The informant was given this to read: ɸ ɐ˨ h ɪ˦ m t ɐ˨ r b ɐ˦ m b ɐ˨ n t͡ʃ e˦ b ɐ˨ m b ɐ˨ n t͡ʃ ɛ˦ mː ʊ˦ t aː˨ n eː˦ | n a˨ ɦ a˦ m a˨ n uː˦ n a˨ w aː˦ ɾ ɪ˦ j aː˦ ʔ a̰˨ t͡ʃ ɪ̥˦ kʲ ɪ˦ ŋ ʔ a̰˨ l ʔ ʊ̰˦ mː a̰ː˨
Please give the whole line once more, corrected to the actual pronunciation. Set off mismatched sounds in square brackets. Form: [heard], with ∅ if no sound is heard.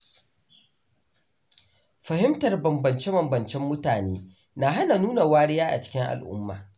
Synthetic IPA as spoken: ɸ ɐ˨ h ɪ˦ m t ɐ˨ r b [ɐ˨] m b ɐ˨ n t͡ʃ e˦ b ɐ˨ m b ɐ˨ n t͡ʃ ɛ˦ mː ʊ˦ t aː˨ n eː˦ | n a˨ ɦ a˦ [n] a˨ n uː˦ n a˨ w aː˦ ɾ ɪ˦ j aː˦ ʔ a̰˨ t͡ʃ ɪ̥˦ kʲ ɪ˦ ŋ ʔ a̰˨ l ʔ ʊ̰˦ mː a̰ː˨